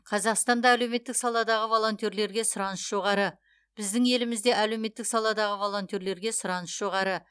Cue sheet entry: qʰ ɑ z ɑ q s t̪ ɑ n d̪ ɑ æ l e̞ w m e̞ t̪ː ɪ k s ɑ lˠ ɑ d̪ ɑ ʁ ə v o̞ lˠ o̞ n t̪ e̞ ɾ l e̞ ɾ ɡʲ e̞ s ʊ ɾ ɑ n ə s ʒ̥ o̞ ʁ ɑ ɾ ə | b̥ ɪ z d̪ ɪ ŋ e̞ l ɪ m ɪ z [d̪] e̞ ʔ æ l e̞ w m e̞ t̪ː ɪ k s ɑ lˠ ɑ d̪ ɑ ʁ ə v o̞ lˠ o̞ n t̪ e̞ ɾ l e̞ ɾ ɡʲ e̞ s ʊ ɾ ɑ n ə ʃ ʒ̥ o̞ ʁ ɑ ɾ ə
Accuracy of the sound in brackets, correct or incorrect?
correct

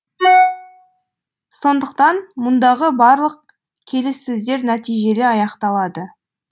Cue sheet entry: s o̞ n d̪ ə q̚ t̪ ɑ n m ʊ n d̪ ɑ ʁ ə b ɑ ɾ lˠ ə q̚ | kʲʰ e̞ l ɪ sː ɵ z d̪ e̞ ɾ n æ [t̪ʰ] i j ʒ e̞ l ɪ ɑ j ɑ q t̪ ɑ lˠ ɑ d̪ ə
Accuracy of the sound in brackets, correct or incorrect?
incorrect: t̪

